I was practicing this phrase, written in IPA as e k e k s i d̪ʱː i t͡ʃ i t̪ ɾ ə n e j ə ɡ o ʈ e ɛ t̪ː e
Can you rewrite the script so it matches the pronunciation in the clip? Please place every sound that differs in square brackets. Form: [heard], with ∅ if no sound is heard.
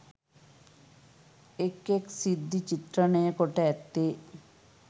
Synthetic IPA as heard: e k e k s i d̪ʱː i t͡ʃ i t̪ ɾ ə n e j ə [k] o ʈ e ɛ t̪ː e